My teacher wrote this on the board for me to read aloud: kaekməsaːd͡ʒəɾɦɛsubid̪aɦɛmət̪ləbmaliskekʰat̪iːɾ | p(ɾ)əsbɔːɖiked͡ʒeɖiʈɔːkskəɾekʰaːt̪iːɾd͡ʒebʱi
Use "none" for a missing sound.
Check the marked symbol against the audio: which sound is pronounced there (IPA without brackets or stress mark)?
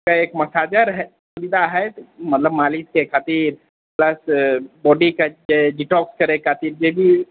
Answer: l